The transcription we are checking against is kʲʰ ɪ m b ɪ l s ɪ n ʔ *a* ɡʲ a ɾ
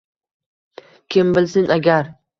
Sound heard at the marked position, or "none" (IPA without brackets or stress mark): a